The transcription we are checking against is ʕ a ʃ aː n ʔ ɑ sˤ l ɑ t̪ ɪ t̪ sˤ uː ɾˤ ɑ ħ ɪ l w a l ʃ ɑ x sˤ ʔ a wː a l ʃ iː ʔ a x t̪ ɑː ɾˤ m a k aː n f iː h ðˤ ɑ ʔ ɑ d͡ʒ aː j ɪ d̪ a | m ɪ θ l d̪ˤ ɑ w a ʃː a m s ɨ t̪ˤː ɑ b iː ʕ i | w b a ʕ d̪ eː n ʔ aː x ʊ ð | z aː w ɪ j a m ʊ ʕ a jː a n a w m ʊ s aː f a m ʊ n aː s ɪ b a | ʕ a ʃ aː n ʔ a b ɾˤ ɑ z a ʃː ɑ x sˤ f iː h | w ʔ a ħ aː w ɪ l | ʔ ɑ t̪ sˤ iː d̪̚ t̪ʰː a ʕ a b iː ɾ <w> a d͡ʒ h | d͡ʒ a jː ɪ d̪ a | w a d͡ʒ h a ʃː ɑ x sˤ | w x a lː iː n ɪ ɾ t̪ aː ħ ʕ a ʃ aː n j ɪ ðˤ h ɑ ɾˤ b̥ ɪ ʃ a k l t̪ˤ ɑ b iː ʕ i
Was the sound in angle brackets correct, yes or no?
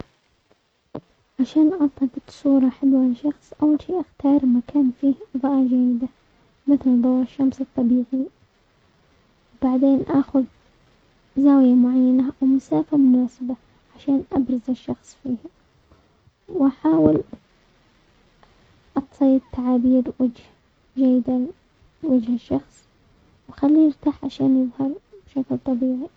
yes